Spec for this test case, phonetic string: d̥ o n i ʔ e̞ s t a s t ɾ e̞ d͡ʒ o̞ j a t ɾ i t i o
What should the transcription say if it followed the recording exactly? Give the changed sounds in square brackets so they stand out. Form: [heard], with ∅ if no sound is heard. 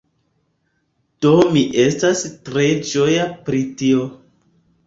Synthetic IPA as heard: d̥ o [m] i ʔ e̞ s t a s t ɾ e̞ d͡ʒ o̞ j a [p] ɾ i t i o